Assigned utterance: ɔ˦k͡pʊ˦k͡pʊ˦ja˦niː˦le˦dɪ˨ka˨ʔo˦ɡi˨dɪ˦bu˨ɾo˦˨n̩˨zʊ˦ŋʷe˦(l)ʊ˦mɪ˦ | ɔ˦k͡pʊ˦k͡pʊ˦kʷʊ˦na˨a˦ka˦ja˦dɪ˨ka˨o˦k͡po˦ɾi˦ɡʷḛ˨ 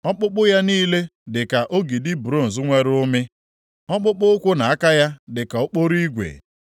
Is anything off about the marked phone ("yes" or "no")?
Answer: yes